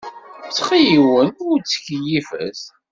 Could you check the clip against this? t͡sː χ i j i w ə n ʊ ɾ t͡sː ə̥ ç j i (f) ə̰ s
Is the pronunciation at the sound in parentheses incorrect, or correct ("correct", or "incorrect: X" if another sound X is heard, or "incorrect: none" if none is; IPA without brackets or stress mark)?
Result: correct